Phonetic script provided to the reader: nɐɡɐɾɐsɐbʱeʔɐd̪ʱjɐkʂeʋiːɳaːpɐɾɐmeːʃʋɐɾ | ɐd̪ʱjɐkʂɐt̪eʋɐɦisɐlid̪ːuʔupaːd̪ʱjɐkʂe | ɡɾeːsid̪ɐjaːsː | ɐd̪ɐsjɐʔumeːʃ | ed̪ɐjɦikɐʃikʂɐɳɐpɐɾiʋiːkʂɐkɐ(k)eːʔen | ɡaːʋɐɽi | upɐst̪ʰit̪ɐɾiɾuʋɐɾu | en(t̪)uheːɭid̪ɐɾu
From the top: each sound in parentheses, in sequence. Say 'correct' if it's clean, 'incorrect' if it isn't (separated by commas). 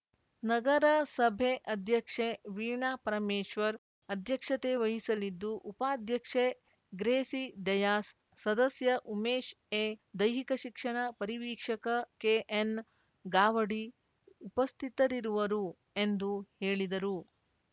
correct, incorrect